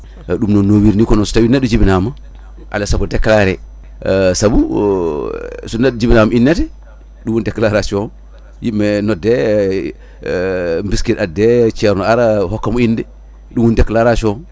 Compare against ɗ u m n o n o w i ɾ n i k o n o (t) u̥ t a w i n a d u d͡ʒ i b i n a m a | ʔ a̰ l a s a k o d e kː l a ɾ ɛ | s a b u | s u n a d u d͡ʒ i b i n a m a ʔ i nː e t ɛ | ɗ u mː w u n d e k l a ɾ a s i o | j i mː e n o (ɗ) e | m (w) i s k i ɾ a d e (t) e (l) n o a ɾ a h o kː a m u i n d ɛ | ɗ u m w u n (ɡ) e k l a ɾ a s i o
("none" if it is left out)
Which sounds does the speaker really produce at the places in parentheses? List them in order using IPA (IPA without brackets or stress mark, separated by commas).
s, d, b, t͡ʃ, ɾ, d